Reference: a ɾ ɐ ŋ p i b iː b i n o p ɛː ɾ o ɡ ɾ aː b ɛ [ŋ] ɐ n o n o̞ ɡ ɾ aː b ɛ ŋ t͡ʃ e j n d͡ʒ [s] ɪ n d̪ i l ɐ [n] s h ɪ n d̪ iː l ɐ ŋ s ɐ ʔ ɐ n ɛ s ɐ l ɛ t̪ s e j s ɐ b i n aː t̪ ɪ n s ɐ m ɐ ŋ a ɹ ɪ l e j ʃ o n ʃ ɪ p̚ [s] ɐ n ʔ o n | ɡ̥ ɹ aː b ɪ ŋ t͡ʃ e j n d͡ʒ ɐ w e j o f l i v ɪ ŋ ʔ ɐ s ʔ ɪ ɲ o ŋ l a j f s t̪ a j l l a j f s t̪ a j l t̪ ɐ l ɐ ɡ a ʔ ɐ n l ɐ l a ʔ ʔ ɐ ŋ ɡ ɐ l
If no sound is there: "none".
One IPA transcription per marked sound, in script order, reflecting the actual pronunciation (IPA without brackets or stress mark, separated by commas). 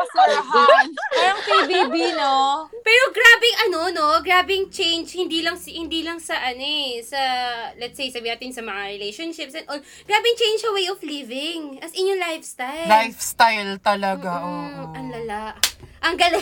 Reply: ŋ, h, ŋ, s